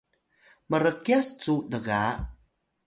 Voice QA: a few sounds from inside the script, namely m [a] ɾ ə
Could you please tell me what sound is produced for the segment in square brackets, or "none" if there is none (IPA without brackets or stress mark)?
ə